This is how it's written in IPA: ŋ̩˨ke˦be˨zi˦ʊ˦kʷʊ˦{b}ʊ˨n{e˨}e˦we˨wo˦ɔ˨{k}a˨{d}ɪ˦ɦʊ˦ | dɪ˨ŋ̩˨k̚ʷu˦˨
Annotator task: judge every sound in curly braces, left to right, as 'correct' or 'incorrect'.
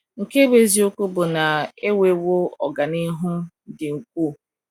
correct, incorrect: a˨, incorrect: ɡ, incorrect: n

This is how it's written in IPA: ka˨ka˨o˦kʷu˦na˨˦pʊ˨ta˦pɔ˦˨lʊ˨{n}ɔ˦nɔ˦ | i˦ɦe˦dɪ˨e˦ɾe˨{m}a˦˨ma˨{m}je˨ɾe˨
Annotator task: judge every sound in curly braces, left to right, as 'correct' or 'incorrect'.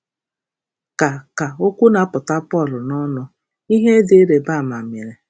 correct, incorrect: b, correct

